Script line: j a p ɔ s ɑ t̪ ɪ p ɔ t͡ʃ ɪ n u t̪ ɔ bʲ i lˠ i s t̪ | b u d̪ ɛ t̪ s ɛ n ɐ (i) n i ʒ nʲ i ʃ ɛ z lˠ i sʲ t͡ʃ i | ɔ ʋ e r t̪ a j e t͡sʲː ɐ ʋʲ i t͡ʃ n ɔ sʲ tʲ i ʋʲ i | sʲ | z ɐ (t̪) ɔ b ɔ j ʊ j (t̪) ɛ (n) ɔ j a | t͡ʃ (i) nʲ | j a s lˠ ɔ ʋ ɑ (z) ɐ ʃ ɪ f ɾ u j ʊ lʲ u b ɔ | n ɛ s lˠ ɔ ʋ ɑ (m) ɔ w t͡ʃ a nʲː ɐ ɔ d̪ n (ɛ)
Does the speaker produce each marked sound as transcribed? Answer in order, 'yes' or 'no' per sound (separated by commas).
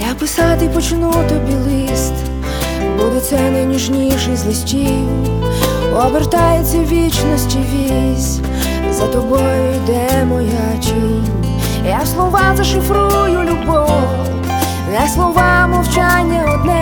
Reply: no, yes, no, no, yes, yes, yes, yes